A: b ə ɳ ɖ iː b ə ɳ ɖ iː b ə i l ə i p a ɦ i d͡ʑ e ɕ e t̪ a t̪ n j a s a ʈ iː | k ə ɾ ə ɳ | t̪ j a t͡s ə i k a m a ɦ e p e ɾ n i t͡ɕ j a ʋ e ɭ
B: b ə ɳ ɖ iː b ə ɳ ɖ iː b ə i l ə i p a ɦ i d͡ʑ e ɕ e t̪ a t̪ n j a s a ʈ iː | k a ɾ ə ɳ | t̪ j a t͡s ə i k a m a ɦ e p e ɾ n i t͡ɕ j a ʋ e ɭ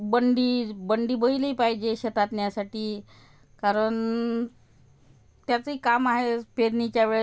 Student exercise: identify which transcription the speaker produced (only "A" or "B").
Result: B